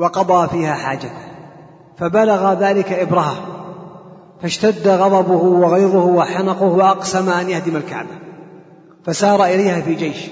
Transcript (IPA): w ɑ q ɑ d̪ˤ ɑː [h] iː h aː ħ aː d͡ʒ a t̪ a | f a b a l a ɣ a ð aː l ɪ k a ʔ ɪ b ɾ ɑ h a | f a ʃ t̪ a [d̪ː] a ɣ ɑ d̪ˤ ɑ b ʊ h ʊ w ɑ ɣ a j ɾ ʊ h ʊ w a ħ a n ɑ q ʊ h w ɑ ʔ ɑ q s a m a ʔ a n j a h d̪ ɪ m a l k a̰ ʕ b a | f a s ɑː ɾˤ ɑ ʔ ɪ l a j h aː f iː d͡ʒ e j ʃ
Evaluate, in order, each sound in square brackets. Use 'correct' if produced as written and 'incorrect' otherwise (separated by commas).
incorrect, correct